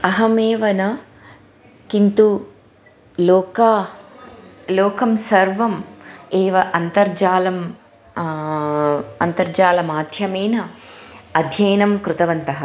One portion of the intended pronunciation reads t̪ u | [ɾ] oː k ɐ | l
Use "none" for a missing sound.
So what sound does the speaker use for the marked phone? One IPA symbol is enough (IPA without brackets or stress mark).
l